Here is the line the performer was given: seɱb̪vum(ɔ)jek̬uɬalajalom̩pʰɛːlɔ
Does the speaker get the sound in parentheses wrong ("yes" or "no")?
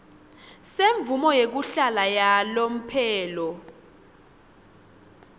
no